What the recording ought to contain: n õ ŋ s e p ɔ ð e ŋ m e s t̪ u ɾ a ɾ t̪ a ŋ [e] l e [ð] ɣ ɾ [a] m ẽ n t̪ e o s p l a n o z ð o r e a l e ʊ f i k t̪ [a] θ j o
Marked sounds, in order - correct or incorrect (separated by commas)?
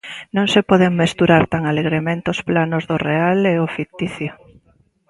incorrect, incorrect, incorrect, incorrect